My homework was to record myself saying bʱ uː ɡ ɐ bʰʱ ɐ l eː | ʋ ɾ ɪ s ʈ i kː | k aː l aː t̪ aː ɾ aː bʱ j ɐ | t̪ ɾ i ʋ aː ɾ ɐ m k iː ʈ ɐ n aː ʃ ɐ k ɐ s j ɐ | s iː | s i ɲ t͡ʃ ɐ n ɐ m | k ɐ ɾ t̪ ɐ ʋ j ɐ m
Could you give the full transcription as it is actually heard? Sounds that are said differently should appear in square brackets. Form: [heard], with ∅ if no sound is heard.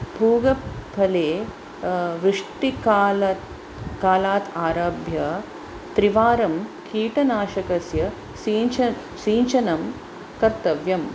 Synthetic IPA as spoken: bʱ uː ɡ ɐ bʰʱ ɐ l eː | ʋ ɾ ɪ [ʂ] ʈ i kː | k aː l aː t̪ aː ɾ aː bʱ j ɐ | t̪ ɾ i ʋ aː ɾ ɐ m k iː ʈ ɐ n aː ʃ ɐ k ɐ s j ɐ | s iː | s [iː] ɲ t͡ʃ ɐ n ɐ m | k ɐ ɾ t̪ ɐ ʋ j ɐ m